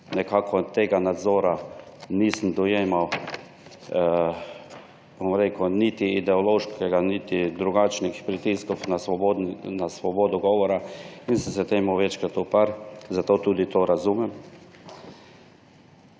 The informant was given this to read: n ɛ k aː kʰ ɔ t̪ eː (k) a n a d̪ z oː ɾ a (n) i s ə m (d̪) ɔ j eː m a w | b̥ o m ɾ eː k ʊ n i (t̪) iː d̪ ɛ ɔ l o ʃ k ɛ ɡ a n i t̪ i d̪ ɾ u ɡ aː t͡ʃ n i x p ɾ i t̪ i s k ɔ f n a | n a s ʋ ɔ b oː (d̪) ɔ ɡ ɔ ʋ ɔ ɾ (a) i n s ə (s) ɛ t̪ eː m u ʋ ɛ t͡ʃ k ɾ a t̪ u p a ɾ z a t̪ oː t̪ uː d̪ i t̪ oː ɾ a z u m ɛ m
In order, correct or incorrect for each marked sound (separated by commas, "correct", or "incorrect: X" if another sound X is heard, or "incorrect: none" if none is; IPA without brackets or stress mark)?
incorrect: ɡ, correct, correct, correct, correct, correct, correct